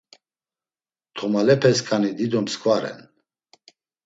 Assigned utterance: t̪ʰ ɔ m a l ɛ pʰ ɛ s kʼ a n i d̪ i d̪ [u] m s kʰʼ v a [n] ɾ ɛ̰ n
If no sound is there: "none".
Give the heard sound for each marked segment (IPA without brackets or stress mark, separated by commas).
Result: ɔ, none